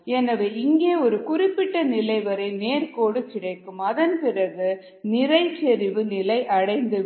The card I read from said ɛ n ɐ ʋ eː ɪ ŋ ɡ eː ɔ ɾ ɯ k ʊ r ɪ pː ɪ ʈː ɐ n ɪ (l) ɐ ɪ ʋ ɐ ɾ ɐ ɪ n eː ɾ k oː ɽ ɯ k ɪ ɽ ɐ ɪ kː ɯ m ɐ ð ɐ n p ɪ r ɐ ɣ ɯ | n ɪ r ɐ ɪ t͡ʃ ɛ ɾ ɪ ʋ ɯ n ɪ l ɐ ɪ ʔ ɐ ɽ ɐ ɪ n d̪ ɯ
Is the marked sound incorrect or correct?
correct